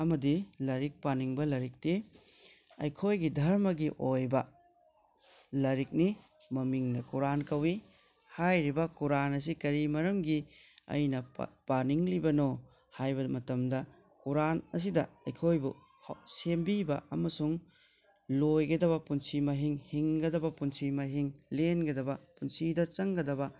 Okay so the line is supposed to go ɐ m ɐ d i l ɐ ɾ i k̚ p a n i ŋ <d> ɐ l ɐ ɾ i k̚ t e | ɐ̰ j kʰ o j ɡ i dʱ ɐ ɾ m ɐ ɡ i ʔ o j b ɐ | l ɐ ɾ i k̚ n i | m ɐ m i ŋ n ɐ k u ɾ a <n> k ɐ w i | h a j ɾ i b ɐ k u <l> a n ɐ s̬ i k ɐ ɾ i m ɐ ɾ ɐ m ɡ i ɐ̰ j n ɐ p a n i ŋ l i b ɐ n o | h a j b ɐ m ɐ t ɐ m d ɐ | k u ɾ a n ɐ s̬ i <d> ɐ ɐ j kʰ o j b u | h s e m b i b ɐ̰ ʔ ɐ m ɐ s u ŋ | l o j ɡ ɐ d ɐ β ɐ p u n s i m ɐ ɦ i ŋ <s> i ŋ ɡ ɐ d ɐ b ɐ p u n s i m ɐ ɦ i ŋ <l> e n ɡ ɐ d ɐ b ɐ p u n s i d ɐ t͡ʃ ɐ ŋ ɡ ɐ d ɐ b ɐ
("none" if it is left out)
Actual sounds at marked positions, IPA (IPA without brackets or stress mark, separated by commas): b, n, ɾ, d, h, l